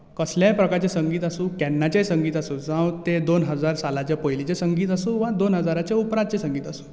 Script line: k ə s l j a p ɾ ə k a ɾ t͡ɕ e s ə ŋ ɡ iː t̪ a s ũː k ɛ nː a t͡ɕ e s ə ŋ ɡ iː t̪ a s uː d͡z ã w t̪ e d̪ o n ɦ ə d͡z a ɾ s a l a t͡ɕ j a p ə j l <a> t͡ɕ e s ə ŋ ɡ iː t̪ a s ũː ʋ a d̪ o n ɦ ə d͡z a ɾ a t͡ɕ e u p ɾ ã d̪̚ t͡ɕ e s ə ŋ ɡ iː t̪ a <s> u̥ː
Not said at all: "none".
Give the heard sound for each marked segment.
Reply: i, s

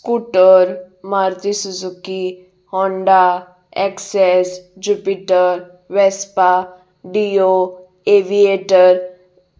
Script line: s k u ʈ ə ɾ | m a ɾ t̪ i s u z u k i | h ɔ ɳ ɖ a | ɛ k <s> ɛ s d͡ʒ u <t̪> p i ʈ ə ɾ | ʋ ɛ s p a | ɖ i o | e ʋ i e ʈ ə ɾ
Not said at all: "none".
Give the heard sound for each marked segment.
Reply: s, none

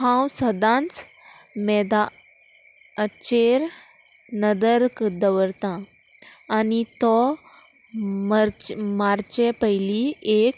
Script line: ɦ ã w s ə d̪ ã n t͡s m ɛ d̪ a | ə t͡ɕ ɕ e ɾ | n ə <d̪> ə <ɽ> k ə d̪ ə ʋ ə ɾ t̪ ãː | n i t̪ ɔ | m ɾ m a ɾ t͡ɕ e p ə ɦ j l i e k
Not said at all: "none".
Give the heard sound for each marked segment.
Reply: d̪, ɾ

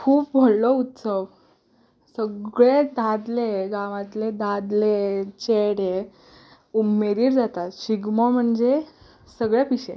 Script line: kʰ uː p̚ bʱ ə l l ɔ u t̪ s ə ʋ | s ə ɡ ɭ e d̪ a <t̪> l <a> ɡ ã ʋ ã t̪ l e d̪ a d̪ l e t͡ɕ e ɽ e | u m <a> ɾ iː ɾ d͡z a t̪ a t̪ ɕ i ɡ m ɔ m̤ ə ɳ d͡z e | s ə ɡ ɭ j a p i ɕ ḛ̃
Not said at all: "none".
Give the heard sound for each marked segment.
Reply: d̪, e, e

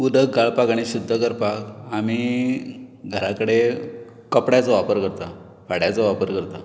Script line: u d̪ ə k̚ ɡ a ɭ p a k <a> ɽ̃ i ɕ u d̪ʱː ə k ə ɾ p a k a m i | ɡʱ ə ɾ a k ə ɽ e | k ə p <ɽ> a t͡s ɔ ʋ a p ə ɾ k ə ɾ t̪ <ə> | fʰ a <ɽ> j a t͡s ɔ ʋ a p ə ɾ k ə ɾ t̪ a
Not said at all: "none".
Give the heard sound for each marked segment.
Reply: a, ɽ, a, ɽ

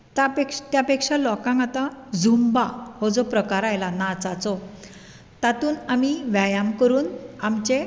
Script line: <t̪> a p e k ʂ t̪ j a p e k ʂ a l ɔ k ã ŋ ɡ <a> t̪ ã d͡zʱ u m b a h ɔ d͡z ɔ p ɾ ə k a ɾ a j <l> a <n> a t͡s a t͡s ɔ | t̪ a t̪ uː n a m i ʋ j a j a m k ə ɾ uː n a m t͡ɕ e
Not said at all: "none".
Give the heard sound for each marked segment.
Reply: t̪, a, l, n

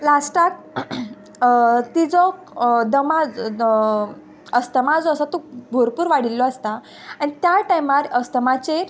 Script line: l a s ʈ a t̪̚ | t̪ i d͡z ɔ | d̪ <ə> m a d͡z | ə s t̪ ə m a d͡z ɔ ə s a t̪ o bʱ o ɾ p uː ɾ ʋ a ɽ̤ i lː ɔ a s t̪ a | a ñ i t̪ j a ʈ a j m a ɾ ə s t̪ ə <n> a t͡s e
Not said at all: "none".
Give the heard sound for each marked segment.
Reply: ə, m

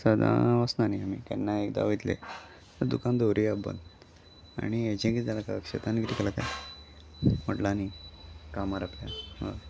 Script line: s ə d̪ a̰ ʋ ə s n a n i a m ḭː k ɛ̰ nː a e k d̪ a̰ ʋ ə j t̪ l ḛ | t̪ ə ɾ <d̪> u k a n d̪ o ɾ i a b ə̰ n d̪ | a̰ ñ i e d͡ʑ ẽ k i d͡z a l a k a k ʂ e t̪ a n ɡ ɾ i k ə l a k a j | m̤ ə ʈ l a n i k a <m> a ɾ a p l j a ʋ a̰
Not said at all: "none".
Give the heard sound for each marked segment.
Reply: d̪, m

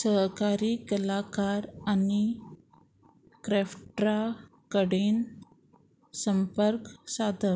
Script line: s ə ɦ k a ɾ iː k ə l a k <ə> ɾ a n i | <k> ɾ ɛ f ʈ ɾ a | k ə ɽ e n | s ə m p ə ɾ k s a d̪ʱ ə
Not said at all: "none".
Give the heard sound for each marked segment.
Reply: a, k

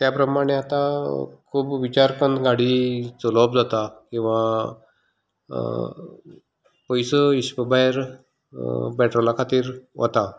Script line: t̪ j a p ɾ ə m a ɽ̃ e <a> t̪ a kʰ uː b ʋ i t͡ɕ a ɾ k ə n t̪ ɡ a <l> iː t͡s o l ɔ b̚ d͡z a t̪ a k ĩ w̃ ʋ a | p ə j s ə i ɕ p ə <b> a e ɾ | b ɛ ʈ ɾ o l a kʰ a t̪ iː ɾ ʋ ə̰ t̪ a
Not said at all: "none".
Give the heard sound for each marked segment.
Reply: a, ɽ, b

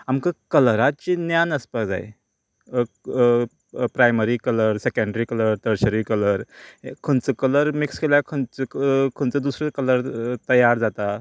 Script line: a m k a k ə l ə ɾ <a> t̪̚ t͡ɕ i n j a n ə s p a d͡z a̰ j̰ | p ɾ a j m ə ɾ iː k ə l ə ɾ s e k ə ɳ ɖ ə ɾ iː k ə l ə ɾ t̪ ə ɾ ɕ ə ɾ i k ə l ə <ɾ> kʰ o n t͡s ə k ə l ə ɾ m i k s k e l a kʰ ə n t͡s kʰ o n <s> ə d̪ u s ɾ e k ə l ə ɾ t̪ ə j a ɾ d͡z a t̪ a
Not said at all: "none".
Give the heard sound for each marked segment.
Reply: a, ɾ, t͡s

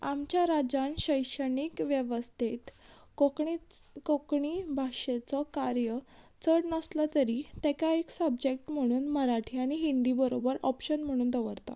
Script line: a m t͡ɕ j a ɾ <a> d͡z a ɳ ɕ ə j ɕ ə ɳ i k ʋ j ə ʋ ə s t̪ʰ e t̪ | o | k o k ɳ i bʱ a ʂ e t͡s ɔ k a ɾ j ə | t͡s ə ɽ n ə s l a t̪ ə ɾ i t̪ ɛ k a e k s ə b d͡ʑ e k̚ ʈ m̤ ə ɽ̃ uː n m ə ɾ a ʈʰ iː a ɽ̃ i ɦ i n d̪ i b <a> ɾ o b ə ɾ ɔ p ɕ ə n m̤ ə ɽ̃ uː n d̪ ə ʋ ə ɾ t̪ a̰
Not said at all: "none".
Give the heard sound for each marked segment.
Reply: a, ə

